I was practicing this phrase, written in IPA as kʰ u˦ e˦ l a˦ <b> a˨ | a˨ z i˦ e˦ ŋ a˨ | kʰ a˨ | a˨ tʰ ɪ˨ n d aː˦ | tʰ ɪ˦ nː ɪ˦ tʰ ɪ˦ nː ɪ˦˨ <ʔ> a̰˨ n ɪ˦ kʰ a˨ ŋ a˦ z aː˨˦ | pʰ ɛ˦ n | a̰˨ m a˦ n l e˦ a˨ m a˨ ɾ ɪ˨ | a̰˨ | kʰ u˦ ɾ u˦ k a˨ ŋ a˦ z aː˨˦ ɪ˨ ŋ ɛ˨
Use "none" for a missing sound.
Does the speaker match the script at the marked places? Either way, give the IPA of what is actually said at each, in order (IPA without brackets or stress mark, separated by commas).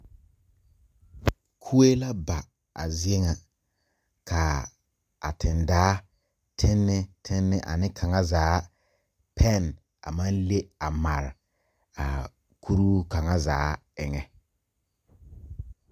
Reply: b, ʔ